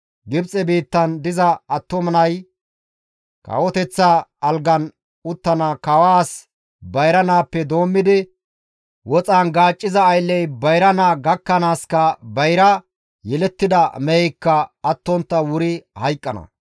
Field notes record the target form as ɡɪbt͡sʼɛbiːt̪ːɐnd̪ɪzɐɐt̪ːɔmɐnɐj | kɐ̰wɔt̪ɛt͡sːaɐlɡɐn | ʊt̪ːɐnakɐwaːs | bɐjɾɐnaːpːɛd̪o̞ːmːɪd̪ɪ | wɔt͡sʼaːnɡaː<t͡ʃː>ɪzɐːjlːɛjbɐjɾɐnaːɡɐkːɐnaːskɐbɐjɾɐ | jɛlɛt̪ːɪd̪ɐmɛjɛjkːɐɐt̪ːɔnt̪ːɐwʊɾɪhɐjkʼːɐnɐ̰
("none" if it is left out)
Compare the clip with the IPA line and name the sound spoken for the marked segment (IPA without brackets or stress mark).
t͡ʃʼː